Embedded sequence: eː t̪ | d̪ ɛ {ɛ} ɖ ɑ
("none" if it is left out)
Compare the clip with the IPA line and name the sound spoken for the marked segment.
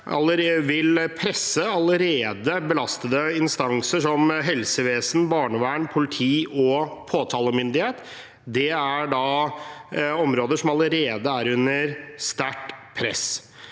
æ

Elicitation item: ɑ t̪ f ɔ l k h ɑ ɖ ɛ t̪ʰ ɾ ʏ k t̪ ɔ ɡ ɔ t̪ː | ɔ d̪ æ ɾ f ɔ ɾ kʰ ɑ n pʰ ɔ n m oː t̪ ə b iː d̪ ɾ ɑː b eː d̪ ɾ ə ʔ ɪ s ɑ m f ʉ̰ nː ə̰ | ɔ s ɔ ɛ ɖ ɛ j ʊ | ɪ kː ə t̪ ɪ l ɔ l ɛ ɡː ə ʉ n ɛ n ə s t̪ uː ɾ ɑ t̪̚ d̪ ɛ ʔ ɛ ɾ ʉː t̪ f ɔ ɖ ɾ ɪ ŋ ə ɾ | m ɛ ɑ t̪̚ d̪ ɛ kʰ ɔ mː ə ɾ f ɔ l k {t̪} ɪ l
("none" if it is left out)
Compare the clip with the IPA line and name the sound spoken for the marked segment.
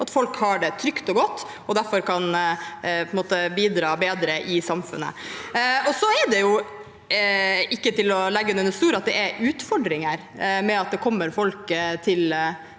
t̪ʰ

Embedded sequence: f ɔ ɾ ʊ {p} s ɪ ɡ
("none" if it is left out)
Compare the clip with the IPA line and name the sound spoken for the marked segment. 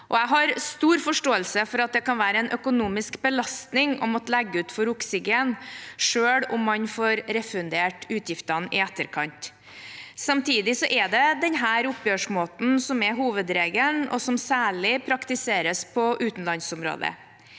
k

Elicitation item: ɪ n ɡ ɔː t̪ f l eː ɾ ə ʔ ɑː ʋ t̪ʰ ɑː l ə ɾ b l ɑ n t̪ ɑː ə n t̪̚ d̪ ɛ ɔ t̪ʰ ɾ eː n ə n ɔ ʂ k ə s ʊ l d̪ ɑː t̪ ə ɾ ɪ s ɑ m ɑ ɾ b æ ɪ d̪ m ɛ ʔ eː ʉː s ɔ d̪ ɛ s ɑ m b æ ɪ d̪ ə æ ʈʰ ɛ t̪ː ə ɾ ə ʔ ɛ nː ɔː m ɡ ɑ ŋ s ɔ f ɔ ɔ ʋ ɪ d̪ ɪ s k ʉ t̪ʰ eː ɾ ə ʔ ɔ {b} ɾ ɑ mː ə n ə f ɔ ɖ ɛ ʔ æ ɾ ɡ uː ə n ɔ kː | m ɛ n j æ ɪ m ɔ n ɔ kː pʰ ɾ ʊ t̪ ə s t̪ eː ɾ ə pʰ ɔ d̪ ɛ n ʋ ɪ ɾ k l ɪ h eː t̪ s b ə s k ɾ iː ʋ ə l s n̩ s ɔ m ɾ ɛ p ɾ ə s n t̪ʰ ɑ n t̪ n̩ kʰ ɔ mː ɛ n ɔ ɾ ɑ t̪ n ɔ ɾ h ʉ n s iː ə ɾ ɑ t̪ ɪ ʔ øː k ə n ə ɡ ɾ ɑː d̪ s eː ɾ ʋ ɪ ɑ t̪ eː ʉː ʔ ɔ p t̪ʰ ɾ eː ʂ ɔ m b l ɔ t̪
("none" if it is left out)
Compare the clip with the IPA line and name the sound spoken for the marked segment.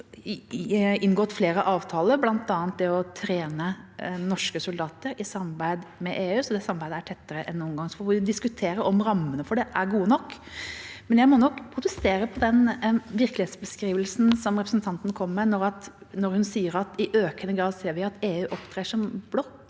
m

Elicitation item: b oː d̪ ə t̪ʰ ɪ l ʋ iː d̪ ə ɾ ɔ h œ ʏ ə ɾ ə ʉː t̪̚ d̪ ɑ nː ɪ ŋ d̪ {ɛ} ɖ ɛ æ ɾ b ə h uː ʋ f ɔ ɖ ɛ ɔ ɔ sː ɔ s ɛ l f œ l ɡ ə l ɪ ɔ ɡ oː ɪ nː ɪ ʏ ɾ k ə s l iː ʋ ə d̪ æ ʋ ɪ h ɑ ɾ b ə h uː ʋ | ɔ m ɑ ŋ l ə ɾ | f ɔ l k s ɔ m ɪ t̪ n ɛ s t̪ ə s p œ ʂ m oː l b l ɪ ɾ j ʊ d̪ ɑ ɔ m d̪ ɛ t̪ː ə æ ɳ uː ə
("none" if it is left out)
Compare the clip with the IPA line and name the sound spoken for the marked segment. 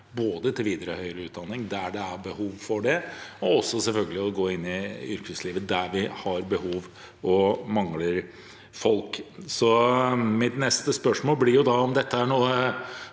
æ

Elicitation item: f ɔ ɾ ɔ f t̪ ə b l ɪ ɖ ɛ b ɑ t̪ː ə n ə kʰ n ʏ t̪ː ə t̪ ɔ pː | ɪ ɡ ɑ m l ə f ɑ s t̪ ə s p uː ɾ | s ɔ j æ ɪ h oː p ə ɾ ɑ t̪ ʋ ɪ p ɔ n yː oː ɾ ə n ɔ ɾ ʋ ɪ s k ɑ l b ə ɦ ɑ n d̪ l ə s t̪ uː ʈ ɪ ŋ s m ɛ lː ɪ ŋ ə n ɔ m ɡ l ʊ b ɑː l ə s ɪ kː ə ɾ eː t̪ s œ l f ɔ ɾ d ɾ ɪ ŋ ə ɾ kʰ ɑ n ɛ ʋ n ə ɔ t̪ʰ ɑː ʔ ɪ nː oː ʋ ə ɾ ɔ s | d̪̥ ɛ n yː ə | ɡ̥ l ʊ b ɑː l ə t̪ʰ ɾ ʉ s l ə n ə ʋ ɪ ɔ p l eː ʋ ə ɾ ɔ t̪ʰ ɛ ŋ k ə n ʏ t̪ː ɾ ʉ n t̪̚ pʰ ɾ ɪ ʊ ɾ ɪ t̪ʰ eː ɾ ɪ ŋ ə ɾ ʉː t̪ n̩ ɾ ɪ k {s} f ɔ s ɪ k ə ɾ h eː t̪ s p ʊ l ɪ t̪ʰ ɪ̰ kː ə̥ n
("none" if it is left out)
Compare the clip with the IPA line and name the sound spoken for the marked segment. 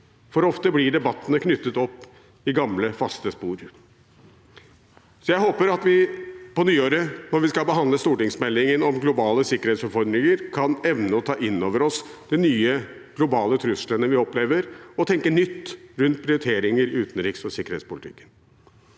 s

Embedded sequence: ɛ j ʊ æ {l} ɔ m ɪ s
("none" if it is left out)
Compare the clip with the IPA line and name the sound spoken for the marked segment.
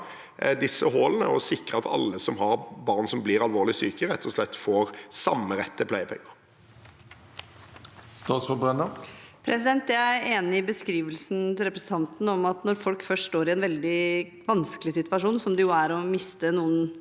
ɾ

